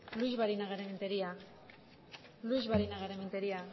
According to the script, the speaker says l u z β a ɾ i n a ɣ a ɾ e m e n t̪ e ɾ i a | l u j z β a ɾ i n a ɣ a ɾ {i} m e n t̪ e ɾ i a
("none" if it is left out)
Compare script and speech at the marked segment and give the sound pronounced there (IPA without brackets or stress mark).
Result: e